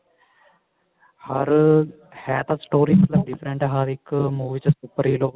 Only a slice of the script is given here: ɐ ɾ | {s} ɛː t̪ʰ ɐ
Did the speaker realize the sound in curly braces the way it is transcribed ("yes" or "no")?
no